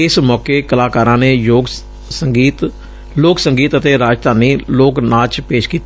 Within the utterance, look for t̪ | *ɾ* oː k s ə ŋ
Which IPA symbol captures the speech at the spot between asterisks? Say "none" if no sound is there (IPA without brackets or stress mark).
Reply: l